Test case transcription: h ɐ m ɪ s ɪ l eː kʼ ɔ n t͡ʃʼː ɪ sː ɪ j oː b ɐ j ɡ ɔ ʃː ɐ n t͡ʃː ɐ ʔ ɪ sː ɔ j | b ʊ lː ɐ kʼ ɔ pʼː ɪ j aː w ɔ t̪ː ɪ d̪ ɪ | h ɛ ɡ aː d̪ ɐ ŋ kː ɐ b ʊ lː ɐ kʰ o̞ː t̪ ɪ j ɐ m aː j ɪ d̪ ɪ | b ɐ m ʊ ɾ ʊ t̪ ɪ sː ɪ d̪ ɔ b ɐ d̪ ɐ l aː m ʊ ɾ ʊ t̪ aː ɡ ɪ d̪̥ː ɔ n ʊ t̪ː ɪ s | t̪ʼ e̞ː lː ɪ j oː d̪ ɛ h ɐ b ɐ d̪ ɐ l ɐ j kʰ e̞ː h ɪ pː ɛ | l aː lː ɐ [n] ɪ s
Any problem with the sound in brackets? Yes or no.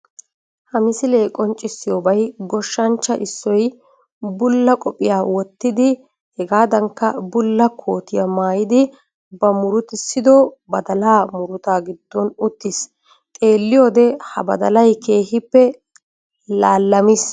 yes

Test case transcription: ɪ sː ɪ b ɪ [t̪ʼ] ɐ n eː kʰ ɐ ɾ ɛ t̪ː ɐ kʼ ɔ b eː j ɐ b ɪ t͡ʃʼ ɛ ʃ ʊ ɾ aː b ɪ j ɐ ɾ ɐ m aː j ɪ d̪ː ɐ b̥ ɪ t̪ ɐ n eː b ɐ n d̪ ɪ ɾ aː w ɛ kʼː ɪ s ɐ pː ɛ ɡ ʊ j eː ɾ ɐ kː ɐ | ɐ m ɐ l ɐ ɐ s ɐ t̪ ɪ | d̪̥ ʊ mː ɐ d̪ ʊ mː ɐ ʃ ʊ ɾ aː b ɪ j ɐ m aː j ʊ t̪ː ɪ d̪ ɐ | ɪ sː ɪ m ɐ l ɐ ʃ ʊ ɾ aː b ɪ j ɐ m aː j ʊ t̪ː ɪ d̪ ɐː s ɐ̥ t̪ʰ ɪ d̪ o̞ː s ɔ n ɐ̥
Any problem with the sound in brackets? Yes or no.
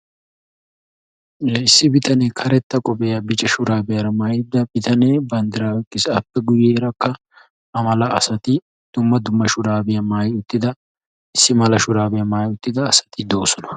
yes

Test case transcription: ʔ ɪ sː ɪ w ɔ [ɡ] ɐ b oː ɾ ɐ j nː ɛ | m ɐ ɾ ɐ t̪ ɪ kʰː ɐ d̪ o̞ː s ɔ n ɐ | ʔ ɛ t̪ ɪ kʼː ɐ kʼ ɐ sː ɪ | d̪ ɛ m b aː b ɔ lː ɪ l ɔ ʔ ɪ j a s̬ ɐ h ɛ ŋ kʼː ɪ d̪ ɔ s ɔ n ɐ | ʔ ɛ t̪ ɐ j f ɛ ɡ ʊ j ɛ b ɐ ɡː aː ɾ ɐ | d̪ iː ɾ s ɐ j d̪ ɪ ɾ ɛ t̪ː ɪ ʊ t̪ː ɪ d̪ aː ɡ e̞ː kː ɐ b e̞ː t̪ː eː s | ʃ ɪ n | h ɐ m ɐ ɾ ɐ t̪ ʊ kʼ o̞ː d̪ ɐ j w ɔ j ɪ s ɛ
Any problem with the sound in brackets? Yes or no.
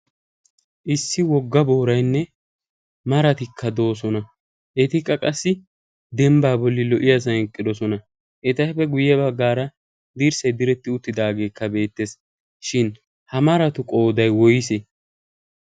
yes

